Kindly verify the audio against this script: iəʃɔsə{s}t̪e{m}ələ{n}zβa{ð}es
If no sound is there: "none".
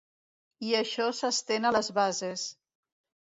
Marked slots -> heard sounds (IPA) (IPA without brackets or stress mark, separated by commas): s, n, none, z